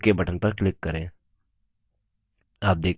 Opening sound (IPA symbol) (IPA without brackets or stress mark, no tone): k